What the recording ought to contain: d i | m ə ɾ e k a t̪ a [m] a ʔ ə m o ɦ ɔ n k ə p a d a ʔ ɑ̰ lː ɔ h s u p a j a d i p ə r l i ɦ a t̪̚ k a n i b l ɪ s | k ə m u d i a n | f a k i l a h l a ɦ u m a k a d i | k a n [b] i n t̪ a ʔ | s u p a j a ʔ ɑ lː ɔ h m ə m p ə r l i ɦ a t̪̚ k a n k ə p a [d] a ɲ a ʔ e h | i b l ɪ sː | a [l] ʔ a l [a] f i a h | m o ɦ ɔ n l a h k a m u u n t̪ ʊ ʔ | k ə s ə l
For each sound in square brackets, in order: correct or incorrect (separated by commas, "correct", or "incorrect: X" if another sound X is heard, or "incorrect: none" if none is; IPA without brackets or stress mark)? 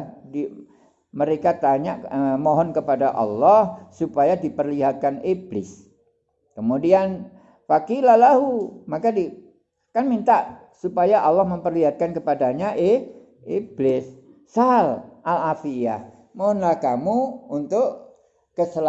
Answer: incorrect: ɲ, incorrect: m, correct, correct, correct